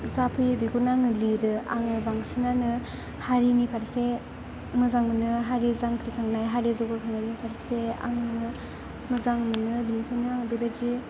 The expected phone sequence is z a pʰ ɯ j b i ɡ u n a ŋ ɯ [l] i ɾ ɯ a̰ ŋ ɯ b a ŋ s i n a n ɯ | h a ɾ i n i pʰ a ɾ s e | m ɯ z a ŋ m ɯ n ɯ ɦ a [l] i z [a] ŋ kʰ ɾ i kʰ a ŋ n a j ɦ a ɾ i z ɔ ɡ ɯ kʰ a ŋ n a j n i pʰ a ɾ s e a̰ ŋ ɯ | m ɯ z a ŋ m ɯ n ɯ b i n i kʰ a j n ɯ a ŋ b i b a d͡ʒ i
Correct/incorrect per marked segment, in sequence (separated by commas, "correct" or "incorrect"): correct, incorrect, correct